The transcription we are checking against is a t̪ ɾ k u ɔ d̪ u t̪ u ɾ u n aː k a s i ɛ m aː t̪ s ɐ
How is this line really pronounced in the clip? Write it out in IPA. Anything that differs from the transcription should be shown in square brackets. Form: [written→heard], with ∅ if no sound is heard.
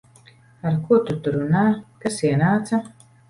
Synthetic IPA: a [t̪→∅] ɾ k u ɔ [d̪→t̪] u t̪ u ɾ u n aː k a s i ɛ [m→n] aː t̪ s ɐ

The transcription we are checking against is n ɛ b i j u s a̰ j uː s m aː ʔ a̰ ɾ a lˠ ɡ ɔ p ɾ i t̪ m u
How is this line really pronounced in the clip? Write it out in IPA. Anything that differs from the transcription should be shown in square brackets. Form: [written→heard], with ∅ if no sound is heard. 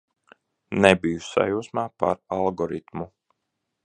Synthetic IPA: n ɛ b i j u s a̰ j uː s m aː [ʔ→p] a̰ ɾ a lˠ ɡ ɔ [p→∅] ɾ i t̪ m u

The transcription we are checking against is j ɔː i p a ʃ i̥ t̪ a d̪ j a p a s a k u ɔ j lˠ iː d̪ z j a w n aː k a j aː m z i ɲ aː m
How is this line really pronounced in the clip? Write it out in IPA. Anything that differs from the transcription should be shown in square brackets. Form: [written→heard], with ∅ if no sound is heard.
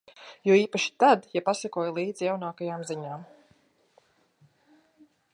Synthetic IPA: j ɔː [i→iː] p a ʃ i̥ t̪ a d̪ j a p a s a k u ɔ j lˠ iː d̪ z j a w n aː k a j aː m z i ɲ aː m

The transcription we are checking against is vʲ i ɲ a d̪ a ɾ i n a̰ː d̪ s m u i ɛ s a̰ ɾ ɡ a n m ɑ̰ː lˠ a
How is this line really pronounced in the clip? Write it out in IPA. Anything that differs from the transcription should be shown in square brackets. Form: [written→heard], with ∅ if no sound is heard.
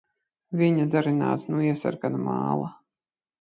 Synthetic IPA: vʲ i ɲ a d̪ a ɾ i n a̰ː [d̪→t̪] s [m→n] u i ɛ s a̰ ɾ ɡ a n m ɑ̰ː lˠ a

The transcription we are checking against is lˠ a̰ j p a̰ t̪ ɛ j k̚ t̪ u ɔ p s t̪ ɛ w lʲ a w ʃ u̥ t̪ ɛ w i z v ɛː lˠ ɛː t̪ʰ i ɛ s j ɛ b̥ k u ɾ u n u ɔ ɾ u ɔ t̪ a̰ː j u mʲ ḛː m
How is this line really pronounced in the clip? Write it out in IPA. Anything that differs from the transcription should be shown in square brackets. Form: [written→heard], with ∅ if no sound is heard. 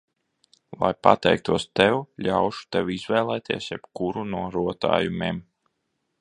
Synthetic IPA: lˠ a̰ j p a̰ t̪ ɛ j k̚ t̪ u ɔ [p→∅] s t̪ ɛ w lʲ a w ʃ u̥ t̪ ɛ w i z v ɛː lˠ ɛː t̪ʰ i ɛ s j ɛ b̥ k u ɾ u n u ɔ ɾ u ɔ t̪ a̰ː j u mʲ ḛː m

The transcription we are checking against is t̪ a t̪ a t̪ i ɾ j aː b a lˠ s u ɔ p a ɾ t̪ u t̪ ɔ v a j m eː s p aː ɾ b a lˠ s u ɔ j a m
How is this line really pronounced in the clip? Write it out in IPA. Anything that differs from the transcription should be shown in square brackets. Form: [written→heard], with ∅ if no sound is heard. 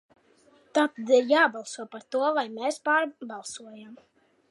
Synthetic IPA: t̪ a t̪ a [t̪→d̪] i ɾ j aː b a lˠ s u ɔ p a ɾ t̪ u [t̪→∅] ɔ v a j m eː s p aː ɾ b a lˠ s u ɔ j a m

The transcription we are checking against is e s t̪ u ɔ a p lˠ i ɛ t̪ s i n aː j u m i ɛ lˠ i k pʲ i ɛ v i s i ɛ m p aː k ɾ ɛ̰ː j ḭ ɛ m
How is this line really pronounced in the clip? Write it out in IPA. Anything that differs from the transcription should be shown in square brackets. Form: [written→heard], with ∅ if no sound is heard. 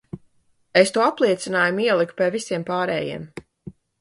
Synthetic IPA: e s t̪ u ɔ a p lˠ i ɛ t̪ s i n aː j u m i ɛ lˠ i k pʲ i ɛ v i s i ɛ m p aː [k→∅] ɾ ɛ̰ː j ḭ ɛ m

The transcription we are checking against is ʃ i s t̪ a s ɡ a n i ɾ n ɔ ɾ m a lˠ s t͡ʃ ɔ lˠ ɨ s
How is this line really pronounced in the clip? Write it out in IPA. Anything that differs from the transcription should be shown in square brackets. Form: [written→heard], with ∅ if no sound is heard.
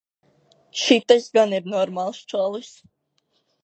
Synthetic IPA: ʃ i [s→∅] t̪ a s ɡ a n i ɾ n ɔ ɾ m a lˠ s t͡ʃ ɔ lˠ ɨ s

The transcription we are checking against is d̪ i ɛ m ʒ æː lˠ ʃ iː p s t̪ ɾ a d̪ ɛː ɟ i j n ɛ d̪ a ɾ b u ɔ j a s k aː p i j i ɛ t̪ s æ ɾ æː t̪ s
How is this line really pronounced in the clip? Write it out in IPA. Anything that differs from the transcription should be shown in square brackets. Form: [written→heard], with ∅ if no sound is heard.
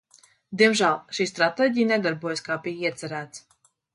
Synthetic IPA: d̪ i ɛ m ʒ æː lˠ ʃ iː [p→∅] s t̪ ɾ a [d̪→t̪] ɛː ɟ i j n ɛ d̪ a ɾ b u ɔ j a s k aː p i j i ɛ t̪ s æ ɾ æː t̪ s

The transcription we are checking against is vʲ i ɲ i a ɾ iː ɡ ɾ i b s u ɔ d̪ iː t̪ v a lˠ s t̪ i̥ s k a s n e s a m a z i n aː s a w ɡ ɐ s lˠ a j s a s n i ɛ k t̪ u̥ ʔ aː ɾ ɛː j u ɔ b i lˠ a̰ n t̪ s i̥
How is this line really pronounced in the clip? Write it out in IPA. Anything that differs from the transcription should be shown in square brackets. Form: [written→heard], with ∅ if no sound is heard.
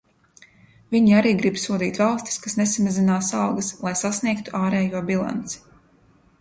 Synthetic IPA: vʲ i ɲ i a ɾ iː ɡ ɾ i b s u ɔ d̪ iː t̪ v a lˠ s t̪ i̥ s k a s n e s a m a z i n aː s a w ɡ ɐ s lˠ a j s a s n i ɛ k t̪ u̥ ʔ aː ɾ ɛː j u ɔ b i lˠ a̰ n t̪ s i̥

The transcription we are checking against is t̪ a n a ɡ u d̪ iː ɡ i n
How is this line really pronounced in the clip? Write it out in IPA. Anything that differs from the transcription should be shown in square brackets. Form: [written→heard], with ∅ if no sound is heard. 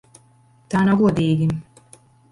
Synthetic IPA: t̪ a n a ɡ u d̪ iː ɡ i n

